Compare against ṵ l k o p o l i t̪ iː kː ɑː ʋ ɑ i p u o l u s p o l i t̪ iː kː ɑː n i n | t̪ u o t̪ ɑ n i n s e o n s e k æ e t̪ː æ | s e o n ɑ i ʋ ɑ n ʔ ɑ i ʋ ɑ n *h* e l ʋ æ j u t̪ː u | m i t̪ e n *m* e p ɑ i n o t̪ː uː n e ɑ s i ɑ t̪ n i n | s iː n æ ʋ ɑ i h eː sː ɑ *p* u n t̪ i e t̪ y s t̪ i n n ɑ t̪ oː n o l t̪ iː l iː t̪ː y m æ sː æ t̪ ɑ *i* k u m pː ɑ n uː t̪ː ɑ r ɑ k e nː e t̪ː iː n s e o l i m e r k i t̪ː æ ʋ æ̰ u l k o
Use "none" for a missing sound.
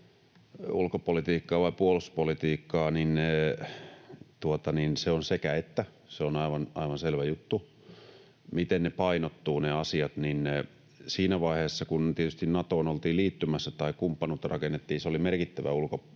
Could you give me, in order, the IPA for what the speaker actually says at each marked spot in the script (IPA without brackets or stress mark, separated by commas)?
s, n, k, i